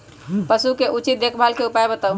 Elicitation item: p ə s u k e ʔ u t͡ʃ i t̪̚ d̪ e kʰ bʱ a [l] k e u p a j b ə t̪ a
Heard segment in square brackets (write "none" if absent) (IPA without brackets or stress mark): l